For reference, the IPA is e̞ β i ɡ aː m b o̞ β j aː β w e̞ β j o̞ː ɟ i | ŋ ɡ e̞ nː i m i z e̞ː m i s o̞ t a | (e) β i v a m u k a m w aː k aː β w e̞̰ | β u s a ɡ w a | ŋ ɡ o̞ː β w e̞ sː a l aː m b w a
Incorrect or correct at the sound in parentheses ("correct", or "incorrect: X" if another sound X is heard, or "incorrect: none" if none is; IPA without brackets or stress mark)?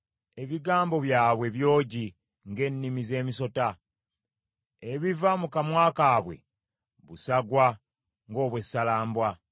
correct